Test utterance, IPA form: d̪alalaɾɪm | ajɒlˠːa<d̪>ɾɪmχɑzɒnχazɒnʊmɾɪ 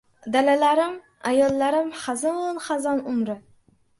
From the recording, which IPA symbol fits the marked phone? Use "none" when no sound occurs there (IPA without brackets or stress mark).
none